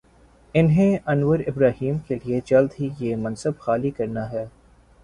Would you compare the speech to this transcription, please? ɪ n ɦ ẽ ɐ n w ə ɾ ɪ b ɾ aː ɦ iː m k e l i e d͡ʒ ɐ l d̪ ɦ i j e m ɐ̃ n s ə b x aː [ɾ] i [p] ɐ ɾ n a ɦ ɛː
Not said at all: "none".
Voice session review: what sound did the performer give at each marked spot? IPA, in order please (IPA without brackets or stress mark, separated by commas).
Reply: l, k